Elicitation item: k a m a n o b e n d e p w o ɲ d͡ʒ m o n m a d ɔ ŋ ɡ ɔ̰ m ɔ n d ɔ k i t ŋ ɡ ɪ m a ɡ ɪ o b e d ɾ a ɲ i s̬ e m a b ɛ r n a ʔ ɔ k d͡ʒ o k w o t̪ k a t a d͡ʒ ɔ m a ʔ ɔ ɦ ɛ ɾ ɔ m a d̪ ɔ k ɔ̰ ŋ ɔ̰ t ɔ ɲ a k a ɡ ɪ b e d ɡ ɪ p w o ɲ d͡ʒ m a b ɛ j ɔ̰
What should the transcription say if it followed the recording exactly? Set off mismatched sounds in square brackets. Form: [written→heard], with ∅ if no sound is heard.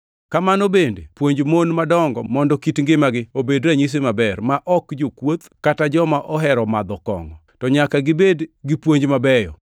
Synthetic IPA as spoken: k a m a n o b e n d e p w o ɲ d͡ʒ m o n m a d ɔ ŋ ɡ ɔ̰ m ɔ n d ɔ k i t ŋ ɡ ɪ m a ɡ ɪ o b e d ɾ a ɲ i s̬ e m a b ɛ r [n→m] a ʔ ɔ k d͡ʒ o k w o t̪ k a t a d͡ʒ ɔ m a ʔ ɔ ɦ ɛ ɾ ɔ m a d̪ ɔ k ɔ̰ ŋ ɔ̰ t ɔ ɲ a k a ɡ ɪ b e d ɡ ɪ p w o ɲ d͡ʒ m a b ɛ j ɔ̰